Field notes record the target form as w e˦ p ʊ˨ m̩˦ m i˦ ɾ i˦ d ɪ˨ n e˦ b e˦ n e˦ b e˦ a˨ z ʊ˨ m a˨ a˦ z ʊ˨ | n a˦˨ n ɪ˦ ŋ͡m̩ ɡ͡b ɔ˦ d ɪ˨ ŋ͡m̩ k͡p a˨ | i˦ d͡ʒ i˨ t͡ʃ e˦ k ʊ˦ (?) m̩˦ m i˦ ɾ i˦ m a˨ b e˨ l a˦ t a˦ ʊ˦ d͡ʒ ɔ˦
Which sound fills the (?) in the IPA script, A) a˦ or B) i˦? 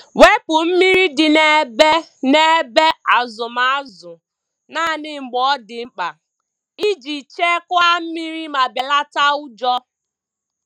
A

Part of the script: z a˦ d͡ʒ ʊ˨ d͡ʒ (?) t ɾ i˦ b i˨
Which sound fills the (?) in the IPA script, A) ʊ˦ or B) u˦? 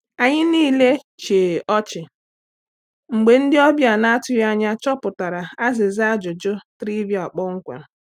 A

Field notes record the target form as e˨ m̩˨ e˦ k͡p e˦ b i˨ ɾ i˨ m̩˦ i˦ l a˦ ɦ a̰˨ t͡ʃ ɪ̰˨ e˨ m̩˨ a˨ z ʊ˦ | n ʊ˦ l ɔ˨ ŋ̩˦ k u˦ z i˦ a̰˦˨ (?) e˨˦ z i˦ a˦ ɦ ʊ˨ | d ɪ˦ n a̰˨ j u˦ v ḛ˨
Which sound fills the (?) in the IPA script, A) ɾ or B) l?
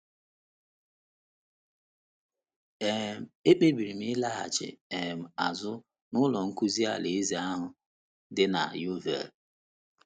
B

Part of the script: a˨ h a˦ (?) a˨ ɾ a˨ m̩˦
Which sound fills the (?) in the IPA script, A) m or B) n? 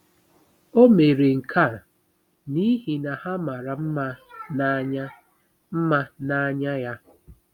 A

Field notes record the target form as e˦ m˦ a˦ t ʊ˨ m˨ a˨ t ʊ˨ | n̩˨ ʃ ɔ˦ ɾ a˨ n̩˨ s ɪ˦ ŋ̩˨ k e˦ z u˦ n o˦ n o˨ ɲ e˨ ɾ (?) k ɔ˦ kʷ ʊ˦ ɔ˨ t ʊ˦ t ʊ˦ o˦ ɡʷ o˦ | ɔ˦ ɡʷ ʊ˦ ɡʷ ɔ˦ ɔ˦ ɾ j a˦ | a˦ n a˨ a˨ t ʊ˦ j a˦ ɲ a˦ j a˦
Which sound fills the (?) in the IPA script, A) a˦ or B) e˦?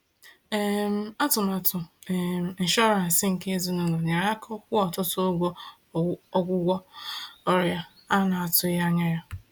A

